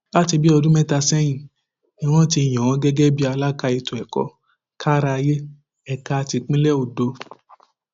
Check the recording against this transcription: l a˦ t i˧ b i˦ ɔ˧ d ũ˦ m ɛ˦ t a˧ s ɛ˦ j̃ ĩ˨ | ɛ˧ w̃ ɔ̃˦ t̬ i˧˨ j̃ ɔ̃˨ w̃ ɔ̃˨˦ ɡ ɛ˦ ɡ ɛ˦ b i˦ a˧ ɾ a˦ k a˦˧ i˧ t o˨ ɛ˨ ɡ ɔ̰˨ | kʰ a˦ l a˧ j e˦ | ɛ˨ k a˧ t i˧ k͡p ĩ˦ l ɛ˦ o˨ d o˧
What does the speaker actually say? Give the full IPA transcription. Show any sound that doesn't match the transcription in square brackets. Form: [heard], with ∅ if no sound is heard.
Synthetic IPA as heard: l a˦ t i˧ b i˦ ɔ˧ d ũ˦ m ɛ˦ t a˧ s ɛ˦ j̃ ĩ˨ | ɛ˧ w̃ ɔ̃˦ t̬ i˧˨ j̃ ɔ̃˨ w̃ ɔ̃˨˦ ɡ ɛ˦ ɡ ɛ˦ b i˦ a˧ [l] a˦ k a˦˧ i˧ t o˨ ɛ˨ [k] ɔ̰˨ | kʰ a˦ [ɾ] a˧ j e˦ | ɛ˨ k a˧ t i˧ k͡p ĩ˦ l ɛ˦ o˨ d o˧